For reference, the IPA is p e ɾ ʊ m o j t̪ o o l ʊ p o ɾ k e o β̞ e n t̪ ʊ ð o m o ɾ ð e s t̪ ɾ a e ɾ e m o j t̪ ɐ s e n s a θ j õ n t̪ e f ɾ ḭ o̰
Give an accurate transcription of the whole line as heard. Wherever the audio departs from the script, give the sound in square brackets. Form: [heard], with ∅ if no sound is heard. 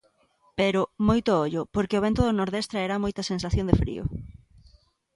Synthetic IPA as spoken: p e ɾ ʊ m o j t̪ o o [ʎ] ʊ p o ɾ k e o β̞ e n t̪ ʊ ð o [n] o ɾ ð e s t̪ ɾ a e ɾ [a] m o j t̪ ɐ s e n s a θ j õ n [d̪] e f ɾ ḭ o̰